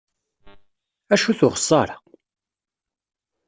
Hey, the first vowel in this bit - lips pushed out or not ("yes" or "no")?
no